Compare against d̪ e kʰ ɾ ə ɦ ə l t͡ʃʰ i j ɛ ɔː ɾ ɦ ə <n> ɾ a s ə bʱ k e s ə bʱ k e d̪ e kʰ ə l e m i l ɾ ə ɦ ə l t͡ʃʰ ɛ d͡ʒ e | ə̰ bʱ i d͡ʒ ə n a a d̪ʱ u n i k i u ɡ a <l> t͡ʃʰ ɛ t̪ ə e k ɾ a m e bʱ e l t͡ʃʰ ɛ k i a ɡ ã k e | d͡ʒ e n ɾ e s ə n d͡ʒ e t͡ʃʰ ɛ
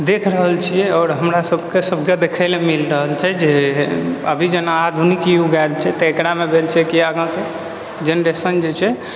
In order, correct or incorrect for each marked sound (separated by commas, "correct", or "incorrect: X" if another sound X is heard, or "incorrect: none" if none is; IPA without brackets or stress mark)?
incorrect: m, correct